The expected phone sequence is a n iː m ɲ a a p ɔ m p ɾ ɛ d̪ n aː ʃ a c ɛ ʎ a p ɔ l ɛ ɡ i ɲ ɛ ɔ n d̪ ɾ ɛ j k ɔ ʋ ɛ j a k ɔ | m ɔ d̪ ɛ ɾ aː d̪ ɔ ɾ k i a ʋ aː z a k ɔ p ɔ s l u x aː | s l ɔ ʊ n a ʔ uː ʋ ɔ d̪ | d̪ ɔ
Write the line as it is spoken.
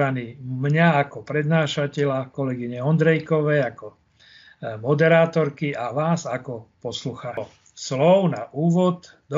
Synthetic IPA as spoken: a n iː m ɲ a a k ɔ p ɾ ɛ d̪ n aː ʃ a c ɛ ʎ a k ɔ l ɛ ɡ i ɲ ɛ ɔ n d̪ ɾ ɛ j k ɔ ʋ ɛ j a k ɔ | m ɔ d̪ ɛ ɾ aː t̪ ɔ ɾ k i a ʋ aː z a k ɔ p ɔ s l u x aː | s l ɔ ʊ n a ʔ uː ʋ ɔ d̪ | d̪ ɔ